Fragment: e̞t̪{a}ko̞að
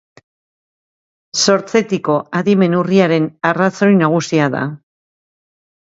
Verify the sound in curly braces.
incorrect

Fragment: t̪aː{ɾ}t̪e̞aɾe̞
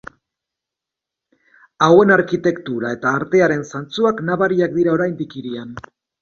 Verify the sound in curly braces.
correct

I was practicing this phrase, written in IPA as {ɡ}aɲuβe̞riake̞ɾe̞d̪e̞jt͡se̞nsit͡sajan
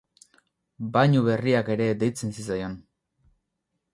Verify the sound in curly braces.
incorrect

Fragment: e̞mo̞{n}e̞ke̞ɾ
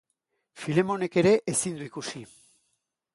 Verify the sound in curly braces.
correct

